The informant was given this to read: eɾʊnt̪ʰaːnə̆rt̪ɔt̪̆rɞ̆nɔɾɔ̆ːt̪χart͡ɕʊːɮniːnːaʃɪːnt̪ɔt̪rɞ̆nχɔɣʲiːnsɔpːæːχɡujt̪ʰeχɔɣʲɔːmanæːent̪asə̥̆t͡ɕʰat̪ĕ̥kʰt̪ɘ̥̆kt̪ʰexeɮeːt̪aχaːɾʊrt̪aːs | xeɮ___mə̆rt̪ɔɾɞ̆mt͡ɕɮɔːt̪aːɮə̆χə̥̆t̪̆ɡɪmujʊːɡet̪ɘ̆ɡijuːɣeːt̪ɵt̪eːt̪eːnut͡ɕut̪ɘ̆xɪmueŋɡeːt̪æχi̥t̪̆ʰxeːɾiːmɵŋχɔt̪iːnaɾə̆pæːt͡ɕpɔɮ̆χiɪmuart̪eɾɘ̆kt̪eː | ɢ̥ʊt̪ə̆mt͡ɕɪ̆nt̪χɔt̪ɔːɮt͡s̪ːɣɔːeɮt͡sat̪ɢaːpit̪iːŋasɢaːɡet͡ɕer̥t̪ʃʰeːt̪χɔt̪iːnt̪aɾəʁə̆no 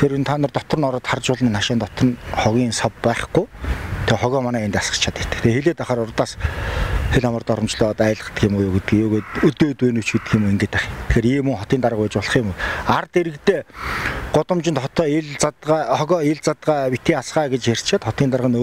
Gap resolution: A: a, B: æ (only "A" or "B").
A